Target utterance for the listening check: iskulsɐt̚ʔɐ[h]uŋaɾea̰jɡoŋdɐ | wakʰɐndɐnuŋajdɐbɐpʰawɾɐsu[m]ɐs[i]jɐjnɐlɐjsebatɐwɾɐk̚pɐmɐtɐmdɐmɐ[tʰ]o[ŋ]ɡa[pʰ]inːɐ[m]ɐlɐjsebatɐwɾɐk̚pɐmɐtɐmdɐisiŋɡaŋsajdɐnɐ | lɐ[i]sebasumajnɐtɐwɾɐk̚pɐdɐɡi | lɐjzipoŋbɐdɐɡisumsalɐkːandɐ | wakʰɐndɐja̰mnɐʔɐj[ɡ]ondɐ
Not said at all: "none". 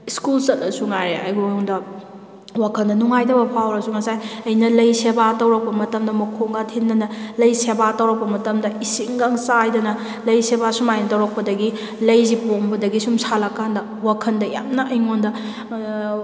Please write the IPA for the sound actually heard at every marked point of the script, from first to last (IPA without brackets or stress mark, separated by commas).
s, ŋ, a, kʰ, ŋ, tʰ, n, j, ŋ